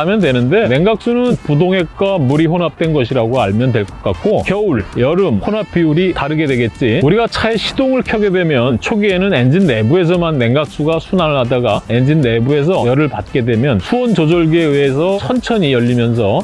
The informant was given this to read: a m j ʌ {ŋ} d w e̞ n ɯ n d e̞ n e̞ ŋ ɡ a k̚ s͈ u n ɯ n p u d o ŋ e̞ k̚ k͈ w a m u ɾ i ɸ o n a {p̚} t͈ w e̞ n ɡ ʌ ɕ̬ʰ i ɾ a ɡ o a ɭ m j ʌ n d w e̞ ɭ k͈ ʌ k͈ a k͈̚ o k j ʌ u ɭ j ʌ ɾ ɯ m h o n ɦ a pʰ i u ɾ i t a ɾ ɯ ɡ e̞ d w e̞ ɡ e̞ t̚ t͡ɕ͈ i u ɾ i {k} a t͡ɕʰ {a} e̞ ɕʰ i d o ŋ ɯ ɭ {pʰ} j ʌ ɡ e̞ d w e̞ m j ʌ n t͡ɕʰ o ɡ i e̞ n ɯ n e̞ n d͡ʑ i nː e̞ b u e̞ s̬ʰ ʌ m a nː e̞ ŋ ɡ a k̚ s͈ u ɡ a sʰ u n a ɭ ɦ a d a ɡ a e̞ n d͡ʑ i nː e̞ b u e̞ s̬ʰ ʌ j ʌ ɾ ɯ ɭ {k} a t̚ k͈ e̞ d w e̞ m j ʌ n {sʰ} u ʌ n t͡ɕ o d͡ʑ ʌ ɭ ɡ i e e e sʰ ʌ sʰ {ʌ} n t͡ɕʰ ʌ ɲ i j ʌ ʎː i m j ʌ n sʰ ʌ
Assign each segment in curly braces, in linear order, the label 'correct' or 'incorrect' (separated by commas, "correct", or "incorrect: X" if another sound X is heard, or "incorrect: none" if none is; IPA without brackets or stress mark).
incorrect: n, correct, incorrect: ɡ, correct, incorrect: kʰ, incorrect: p, correct, correct